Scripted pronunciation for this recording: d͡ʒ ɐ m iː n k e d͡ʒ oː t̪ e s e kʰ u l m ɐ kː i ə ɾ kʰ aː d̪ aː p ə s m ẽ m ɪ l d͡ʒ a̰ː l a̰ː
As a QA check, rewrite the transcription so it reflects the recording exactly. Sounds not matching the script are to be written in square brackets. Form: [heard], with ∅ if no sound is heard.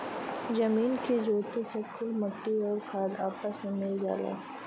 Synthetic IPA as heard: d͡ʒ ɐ m iː n k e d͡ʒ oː t̪ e s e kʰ [ʊ] l m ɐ [ʈː] i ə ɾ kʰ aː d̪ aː p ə s m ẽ m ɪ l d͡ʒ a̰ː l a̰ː